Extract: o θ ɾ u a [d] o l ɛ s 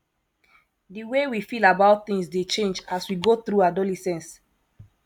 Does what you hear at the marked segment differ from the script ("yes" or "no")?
no